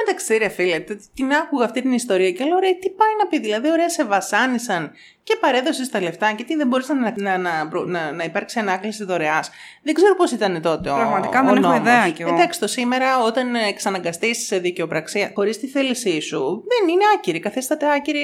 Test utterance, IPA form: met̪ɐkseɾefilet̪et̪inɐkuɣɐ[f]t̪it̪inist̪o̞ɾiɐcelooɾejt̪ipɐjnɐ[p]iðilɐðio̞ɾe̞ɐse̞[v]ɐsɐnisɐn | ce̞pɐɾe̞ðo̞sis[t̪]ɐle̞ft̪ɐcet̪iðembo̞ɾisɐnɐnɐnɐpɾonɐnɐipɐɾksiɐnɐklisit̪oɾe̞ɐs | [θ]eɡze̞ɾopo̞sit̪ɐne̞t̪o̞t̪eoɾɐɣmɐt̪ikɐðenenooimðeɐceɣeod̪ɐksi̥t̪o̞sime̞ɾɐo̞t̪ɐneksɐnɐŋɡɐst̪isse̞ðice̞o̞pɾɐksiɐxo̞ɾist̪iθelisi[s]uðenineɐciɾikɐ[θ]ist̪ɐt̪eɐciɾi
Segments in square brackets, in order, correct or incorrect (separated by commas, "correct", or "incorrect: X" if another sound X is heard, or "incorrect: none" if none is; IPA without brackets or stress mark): correct, correct, correct, correct, incorrect: ð, correct, correct